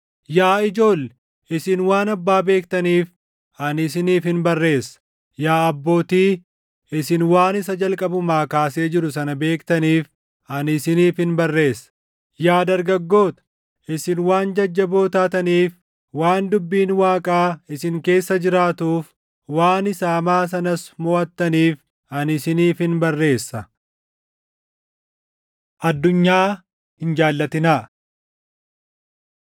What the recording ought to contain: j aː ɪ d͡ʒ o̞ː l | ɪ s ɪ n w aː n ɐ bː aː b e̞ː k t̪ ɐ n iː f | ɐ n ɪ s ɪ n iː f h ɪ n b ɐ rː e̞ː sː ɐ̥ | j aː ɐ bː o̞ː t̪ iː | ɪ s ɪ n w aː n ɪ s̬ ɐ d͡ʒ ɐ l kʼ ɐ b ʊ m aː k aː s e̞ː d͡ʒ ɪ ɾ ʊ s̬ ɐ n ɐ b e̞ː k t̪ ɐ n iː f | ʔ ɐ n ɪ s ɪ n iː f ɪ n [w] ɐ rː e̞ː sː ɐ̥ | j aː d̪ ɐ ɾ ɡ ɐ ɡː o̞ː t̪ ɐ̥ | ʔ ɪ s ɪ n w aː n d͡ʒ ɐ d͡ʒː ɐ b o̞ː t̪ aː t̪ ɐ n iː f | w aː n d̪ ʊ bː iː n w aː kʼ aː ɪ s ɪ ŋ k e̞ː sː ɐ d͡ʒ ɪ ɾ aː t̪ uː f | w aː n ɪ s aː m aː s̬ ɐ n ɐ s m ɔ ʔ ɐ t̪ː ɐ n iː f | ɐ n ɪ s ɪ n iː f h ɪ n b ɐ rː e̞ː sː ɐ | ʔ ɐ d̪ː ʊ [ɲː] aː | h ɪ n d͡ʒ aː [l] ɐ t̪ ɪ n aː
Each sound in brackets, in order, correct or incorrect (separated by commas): incorrect, correct, incorrect